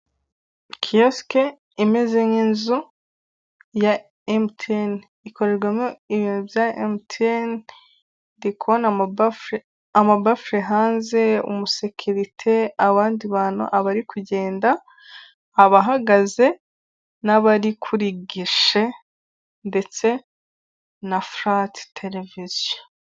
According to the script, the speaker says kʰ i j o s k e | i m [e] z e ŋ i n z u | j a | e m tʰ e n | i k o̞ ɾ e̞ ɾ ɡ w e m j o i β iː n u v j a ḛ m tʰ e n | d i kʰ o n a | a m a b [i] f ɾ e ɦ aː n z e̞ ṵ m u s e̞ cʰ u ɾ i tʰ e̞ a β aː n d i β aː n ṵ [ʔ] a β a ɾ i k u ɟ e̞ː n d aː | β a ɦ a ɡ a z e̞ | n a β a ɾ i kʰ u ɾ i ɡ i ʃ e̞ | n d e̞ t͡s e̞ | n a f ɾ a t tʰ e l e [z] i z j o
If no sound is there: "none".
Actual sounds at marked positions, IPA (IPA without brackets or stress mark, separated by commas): e, a, ʔ, v